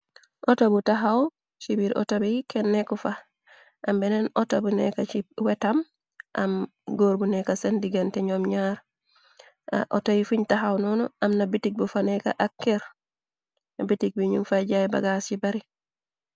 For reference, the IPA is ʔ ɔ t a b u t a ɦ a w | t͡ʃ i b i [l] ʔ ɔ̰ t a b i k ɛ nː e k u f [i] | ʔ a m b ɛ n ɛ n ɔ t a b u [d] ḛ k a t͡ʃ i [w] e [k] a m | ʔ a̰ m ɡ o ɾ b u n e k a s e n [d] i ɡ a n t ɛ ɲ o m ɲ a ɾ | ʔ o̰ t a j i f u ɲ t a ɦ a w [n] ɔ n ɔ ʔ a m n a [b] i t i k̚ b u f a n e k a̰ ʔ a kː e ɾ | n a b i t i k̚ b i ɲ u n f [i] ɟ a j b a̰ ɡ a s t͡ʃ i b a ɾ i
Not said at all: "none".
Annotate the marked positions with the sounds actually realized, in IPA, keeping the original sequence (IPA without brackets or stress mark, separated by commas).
ɾ, a, n, w, t, d, n, b, a